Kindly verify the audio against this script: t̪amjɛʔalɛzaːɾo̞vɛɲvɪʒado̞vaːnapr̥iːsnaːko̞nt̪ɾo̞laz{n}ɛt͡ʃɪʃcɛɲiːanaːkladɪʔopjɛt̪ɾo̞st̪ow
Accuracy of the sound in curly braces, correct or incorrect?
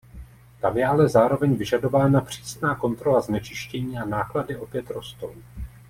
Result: correct